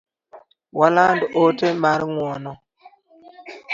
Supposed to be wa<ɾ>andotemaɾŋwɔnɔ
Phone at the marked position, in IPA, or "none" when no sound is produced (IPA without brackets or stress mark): l